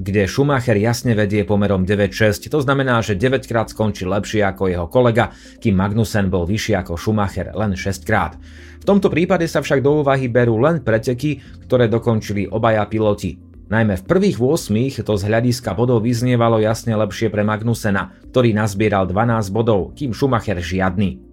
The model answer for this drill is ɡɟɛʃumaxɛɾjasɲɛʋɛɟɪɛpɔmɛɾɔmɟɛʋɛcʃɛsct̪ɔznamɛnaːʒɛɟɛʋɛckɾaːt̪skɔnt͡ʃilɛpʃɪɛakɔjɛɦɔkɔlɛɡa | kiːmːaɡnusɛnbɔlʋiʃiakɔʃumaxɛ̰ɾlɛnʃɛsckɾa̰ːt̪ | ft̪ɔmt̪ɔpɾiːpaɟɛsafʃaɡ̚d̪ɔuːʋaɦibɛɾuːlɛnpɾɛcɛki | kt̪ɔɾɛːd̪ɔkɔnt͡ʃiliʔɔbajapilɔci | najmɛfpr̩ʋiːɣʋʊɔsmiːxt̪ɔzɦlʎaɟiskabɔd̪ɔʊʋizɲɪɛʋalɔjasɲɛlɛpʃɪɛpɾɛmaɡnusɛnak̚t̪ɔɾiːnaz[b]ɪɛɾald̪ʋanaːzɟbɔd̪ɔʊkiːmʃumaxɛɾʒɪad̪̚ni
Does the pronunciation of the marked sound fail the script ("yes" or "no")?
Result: no